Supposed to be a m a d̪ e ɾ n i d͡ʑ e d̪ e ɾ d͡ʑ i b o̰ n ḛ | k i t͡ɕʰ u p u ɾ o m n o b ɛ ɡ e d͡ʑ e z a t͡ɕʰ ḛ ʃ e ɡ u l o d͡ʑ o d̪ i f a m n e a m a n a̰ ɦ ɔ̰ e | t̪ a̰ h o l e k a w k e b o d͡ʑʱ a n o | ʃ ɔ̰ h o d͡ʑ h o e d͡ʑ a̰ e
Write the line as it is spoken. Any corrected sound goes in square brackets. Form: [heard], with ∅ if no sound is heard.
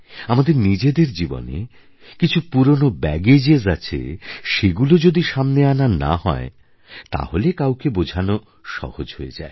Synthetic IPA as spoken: a m a d̪ e ɾ n i d͡ʑ e d̪ e ɾ d͡ʑ i b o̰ n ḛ | k i t͡ɕʰ u p u ɾ o [∅] n o b ɛ ɡ e d͡ʑ e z a t͡ɕʰ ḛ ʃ e ɡ u l o d͡ʑ o d̪ i [ʃ] a m n e a [n] a n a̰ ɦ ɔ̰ e | t̪ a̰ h o l e k a w k e b o d͡ʑʱ a n o | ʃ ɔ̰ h o d͡ʑ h o e d͡ʑ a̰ e

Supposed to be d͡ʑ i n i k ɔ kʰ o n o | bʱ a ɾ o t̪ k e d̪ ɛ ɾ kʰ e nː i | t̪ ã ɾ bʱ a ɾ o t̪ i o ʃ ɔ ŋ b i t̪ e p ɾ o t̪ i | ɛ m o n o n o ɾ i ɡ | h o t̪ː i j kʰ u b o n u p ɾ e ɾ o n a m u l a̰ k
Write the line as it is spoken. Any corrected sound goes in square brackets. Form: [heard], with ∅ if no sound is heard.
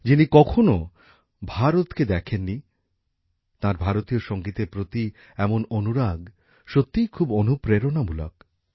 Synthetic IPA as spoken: d͡ʑ i n i k ɔ kʰ o n o | bʱ a ɾ o t̪ k e d̪ ɛ [∅] kʰ e nː i | t̪ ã ɾ bʱ a ɾ o t̪ i o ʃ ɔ ŋ [ɡ] i t̪ e p ɾ o t̪ i | ɛ m o n o n [u] ɾ [a] ɡ | [ʃ] o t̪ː i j kʰ u b o n u p ɾ e ɾ o n a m u l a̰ k

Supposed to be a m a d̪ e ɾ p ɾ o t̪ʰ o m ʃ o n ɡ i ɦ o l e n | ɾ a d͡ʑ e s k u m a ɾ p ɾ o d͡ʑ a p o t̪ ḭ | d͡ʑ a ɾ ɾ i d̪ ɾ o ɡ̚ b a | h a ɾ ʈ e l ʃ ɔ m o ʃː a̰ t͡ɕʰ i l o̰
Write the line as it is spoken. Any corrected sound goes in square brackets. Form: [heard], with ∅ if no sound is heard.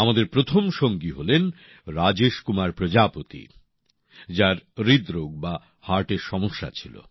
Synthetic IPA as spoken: a m a d̪ e ɾ p ɾ o t̪ʰ o m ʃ o [ŋ] ɡ i ɦ o l e n | ɾ a d͡ʑ e [ʃ] k u m a ɾ p ɾ o d͡ʑ a p o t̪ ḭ | d͡ʑ a ɾ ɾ i d̪ ɾ o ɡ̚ b a | h a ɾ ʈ e [ɾ] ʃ ɔ m o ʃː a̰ t͡ɕʰ i l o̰

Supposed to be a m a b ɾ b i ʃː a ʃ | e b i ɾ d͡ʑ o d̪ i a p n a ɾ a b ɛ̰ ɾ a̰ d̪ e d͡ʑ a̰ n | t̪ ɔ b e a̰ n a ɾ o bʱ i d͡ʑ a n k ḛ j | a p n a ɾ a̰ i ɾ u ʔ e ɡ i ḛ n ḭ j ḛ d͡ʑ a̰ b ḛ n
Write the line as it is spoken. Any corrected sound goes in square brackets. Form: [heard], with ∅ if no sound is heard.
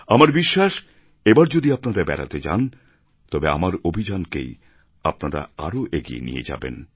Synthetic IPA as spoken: a m a [∅] ɾ b i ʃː a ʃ | e b [a] ɾ d͡ʑ o d̪ i a p n a ɾ a b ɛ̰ ɾ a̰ [t̪] e d͡ʑ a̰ n | t̪ ɔ b e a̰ [m] a ɾ o bʱ i d͡ʑ a n k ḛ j | a p n a ɾ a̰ [a] ɾ [o] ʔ e ɡ i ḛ n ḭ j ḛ d͡ʑ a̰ b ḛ n

